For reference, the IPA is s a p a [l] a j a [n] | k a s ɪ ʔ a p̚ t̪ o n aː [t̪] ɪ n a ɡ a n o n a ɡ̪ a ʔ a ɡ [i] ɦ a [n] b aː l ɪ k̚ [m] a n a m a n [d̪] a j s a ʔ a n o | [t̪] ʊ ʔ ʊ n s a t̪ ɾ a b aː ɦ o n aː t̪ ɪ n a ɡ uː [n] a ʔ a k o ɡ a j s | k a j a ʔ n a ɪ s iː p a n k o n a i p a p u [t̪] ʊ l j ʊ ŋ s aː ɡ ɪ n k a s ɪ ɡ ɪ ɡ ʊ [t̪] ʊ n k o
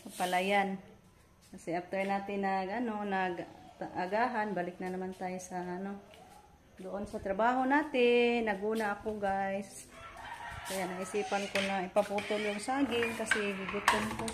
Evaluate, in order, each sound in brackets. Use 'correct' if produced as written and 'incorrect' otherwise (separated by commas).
correct, correct, correct, incorrect, correct, incorrect, incorrect, incorrect, correct, correct, correct